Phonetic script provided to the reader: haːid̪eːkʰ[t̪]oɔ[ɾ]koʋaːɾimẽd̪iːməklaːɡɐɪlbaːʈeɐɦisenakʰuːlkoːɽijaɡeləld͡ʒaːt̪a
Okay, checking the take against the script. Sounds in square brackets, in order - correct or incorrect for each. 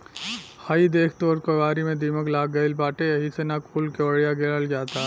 correct, correct

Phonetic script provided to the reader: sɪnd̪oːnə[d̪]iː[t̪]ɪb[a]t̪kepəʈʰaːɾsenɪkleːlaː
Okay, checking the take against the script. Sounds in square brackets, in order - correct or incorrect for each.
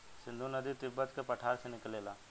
correct, correct, incorrect: ə

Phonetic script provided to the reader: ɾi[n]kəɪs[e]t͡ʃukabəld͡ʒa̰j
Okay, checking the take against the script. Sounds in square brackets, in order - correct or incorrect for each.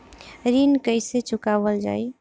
correct, correct

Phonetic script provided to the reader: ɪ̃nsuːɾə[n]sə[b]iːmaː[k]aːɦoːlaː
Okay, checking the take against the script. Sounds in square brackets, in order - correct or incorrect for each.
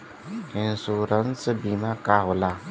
correct, correct, correct

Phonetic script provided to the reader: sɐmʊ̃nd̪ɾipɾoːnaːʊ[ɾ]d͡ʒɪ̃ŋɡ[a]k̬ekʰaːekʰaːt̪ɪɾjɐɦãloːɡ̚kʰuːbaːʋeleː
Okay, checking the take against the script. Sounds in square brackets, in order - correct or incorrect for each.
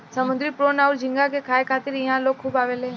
correct, correct

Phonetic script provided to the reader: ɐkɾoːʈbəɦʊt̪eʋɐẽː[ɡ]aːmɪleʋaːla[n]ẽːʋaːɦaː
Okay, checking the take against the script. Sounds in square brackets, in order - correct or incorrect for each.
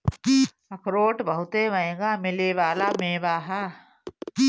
correct, incorrect: m

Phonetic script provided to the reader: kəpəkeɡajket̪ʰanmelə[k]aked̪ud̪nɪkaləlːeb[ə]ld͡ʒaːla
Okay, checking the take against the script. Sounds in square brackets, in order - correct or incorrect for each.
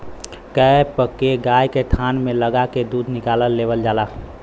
incorrect: ɡ, correct

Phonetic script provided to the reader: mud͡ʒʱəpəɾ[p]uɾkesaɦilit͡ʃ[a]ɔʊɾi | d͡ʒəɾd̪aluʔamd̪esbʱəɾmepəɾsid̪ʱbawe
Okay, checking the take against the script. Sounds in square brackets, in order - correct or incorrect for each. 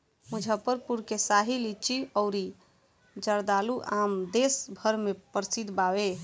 correct, incorrect: i

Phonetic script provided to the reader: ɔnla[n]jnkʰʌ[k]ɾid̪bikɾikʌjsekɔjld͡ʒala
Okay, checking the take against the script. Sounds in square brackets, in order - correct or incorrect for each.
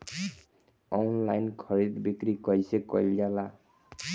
incorrect: none, incorrect: none

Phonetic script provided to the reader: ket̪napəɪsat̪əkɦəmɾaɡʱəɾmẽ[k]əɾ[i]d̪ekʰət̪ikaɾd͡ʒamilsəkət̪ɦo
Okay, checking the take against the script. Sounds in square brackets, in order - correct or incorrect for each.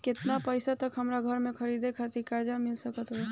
incorrect: kʰ, correct

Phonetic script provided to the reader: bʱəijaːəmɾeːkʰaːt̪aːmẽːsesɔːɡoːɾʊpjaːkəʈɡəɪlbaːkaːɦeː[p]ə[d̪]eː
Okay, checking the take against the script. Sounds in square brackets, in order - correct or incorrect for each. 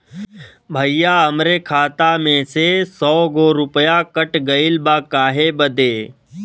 incorrect: b, correct

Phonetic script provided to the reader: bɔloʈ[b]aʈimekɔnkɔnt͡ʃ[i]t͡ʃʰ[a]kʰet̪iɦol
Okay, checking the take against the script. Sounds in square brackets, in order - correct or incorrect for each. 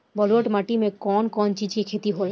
incorrect: m, correct, incorrect: i

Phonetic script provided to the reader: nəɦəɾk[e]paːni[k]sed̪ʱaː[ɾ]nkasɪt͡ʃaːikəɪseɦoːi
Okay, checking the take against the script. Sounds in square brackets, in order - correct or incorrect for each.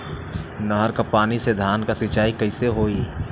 incorrect: a, incorrect: none, incorrect: none

